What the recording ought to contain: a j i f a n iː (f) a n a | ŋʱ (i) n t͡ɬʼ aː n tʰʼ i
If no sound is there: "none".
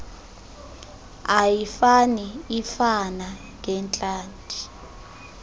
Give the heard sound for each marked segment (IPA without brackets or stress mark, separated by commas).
f, ɛ